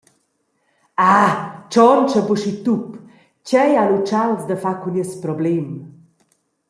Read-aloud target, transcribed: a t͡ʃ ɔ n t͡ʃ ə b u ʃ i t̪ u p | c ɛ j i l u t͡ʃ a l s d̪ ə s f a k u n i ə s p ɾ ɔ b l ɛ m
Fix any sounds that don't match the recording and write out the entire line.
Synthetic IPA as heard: a t͡ʃ ɔ n t͡ʃ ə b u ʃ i t̪ u p | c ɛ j a l u t͡ʃ a l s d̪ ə f a k u n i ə s p ɾ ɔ b l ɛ m